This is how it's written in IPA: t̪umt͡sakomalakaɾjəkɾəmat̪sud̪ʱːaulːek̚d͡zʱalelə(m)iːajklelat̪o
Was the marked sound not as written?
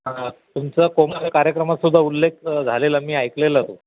no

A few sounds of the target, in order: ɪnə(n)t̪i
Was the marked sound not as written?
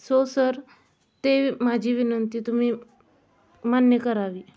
no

